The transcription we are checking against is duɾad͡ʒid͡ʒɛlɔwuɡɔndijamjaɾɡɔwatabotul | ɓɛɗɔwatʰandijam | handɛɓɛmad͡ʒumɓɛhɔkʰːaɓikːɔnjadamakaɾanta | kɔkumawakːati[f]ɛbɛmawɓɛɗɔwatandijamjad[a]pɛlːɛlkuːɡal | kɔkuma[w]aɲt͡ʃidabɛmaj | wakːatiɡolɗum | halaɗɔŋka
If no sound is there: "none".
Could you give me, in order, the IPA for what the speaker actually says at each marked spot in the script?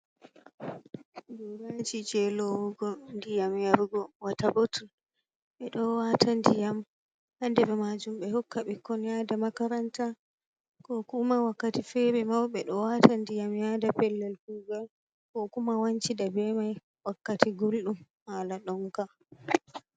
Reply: f, a, w

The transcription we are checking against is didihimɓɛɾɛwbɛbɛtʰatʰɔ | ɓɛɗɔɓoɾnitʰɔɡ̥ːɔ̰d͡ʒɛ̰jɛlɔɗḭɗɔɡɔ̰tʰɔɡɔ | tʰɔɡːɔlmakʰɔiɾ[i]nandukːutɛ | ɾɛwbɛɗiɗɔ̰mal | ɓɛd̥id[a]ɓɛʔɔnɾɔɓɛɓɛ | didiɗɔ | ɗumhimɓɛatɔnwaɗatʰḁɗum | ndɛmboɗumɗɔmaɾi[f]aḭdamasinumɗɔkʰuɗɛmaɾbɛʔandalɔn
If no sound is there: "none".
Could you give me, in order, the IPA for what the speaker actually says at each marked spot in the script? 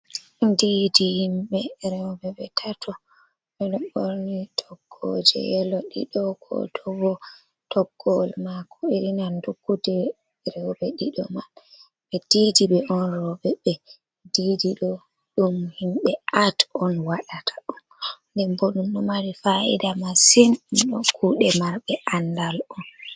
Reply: i, i, f

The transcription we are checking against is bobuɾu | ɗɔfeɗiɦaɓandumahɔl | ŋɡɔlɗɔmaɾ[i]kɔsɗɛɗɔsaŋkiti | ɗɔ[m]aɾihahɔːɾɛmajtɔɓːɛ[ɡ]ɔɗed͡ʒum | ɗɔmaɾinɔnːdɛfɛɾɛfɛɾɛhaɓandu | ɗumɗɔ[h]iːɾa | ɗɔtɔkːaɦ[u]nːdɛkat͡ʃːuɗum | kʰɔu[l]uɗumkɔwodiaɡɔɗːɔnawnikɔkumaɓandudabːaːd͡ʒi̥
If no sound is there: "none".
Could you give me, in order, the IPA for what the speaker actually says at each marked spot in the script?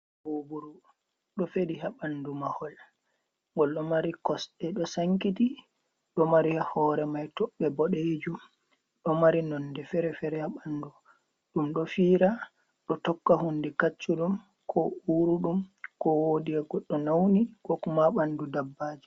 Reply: i, m, b, f, u, ɾ

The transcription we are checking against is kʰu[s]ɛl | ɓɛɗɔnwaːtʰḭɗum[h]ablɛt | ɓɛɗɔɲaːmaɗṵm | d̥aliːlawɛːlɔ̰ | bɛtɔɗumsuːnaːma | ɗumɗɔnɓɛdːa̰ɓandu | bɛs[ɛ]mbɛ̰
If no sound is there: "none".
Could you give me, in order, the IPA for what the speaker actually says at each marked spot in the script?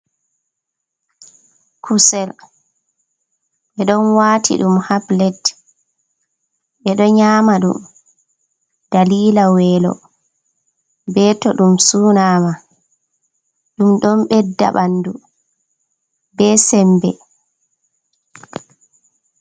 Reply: s, h, ɛ

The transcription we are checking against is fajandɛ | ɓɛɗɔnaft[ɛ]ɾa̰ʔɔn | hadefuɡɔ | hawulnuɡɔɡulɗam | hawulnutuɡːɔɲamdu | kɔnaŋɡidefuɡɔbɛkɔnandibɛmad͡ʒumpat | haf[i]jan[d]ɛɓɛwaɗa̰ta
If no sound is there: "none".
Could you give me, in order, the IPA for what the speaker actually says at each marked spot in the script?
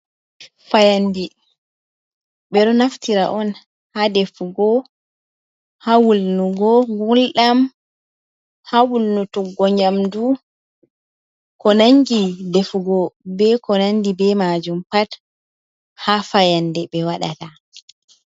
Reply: i, a, d

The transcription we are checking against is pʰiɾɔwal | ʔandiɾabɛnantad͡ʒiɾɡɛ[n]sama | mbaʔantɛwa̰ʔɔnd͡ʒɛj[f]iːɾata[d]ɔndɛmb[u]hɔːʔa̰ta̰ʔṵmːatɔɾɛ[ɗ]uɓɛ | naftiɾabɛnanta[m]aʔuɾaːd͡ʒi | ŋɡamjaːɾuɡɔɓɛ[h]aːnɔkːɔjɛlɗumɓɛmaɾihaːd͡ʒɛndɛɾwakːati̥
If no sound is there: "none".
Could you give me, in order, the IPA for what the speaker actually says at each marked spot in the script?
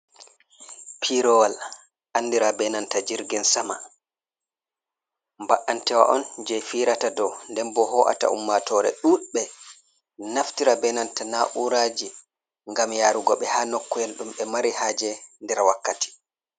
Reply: n, f, d, ɔ, ɗ, n, h

